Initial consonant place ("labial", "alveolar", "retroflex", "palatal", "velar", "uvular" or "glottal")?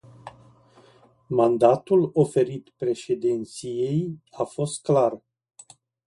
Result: labial